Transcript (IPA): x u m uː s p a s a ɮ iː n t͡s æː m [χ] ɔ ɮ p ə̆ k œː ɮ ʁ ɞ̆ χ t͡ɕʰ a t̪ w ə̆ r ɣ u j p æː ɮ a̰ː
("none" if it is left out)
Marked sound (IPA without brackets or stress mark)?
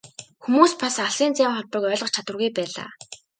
χ